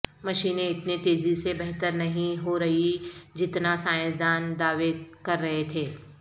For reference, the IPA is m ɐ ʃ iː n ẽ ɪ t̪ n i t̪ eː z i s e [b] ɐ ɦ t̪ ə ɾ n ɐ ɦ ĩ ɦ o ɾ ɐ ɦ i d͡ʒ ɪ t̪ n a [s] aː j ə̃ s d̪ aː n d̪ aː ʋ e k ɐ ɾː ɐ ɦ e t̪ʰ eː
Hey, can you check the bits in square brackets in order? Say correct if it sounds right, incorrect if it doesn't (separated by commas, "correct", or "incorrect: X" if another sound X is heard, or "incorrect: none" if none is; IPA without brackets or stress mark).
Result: correct, correct